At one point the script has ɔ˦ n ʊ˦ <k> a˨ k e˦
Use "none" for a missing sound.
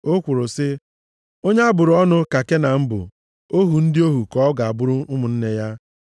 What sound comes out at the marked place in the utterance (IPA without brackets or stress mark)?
k